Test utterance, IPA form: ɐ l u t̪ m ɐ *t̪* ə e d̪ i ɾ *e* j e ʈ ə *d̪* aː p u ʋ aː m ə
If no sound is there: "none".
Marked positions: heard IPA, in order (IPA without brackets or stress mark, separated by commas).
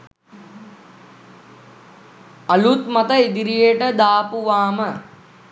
t̪, i, d̪